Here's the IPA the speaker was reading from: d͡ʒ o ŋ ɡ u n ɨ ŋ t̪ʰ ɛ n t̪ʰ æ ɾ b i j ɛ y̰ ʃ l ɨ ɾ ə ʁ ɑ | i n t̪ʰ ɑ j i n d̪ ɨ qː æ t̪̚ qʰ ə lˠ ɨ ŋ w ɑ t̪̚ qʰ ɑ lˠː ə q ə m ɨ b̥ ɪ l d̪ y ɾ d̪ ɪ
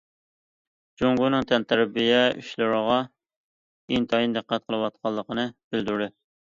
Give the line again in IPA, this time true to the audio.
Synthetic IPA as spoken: d͡ʒ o ŋ ɡ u n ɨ ŋ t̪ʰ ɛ n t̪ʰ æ ɾ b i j ɛ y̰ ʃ l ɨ ɾ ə ʁ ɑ | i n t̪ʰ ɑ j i n d̪ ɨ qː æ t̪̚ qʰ ə lˠ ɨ w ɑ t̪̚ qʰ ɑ lˠː ə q ə n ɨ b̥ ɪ l d̪ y ɾ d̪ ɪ